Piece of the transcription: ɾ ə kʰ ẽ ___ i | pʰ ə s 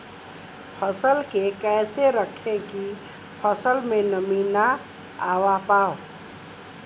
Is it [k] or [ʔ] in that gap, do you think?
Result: k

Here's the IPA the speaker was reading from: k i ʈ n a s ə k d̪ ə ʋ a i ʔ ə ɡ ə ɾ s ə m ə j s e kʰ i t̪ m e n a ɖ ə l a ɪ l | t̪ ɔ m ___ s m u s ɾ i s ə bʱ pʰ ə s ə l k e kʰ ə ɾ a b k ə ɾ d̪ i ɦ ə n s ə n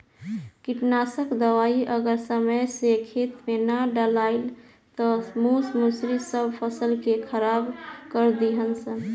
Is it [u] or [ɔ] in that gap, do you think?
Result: u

